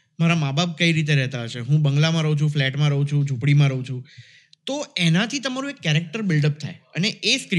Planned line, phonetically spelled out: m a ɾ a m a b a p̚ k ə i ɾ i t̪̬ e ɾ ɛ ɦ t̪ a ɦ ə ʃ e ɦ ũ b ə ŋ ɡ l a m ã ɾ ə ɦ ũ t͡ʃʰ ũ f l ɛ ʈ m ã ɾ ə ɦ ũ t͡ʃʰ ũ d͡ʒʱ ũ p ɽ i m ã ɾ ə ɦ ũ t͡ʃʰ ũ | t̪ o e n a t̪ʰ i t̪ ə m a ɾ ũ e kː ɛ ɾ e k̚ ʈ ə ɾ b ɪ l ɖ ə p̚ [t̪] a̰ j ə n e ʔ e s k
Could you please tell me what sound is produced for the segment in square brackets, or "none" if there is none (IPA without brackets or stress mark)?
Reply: t̪ʰ